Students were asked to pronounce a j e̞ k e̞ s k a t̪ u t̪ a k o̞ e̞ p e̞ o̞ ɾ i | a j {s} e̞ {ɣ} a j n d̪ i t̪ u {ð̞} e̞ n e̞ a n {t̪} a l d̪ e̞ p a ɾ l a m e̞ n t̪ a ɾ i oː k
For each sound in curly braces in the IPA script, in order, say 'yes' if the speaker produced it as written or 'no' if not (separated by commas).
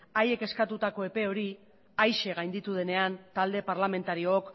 no, yes, yes, yes